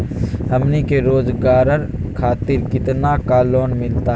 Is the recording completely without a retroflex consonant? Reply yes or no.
yes